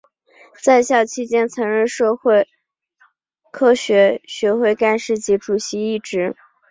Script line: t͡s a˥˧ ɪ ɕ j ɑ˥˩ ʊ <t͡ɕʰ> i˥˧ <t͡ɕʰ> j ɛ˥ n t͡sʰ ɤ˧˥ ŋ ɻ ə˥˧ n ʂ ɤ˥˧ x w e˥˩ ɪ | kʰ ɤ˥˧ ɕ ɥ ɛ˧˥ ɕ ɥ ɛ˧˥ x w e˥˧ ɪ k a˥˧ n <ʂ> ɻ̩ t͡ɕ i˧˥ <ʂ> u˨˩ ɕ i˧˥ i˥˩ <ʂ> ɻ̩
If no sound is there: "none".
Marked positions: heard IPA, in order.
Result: t͡ɕʰ, t͡ɕ, ʂ, ʈ͡ʂ, ʈ͡ʂ

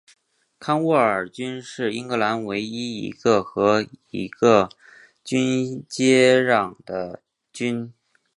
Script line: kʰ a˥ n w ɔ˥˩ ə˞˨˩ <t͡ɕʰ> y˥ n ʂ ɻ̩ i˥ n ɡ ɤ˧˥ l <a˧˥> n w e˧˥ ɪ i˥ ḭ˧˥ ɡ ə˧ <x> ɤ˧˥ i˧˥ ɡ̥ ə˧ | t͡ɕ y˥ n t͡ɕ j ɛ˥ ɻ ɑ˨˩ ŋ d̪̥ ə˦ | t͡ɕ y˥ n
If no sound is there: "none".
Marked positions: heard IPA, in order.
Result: t͡ɕ, a˧˥, x

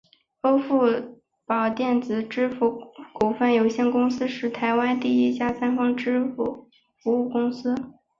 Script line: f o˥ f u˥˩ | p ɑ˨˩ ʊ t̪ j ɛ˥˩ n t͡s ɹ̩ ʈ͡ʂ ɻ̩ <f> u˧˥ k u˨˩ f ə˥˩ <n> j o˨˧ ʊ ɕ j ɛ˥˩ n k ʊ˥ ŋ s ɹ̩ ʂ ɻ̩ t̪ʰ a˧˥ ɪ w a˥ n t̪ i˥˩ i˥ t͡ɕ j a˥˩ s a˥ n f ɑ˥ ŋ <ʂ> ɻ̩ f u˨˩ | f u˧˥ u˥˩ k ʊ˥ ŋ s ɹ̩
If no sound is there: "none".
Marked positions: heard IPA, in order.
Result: f, n, ʈ͡ʂ

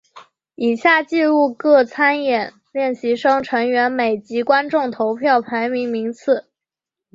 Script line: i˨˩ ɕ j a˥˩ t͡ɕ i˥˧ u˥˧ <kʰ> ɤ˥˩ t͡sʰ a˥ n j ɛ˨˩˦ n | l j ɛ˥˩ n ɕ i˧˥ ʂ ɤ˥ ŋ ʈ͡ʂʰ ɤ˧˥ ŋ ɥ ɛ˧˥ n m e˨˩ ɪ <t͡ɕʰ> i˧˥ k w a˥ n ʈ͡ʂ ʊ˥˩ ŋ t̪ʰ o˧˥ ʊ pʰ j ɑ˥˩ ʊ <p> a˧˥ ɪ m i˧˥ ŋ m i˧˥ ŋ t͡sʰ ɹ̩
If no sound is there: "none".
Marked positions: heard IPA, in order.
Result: k, t͡ɕ, pʰ

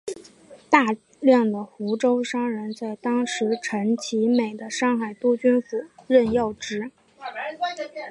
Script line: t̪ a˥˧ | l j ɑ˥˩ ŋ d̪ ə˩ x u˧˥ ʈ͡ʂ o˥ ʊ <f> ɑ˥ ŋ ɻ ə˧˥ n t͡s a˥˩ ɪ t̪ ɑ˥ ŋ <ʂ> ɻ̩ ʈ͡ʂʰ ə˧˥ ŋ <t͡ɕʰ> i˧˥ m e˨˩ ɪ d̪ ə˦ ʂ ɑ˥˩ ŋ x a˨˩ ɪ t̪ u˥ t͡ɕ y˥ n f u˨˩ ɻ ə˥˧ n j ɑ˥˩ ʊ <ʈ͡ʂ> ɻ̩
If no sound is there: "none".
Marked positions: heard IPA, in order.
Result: ʂ, ʂ, t͡ɕʰ, ʈ͡ʂ

